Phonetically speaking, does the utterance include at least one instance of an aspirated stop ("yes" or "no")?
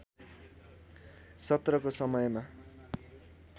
no